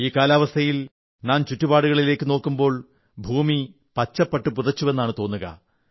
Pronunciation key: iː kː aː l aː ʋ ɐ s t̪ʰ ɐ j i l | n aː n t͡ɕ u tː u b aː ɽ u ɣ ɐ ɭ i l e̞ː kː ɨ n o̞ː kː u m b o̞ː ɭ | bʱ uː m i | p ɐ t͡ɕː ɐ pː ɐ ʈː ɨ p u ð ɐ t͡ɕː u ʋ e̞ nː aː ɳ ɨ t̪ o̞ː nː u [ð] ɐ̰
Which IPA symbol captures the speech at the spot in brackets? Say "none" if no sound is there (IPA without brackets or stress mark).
ɣ